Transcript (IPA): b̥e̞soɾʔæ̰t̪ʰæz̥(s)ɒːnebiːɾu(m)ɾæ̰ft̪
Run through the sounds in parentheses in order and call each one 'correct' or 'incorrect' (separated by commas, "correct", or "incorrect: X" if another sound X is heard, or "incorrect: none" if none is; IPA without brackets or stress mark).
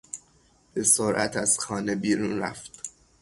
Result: incorrect: x, incorrect: n